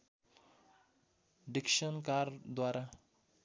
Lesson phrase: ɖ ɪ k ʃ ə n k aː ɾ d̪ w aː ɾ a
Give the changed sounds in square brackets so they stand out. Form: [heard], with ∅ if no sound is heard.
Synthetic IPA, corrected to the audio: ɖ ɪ k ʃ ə n k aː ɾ d̪ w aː ɾ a